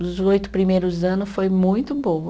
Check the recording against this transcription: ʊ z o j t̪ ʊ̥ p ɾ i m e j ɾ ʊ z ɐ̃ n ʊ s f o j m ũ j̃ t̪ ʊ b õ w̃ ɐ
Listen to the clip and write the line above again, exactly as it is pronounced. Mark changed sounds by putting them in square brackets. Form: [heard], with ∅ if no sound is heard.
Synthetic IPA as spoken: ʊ z o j t̪ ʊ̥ p ɾ i m e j ɾ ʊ z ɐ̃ n ʊ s f o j m ũ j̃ t̪ ʊ b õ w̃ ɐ